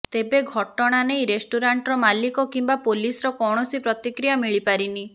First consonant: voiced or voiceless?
voiceless